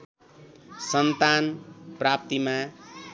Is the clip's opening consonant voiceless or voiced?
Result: voiceless